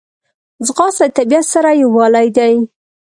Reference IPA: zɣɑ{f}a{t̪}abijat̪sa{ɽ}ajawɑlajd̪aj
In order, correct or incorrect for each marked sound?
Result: incorrect: s, correct, incorrect: ɾ

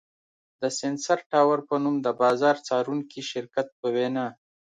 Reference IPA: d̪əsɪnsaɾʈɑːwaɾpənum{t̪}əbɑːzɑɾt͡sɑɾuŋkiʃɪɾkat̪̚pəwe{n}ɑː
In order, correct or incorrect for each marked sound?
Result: incorrect: d̪, correct

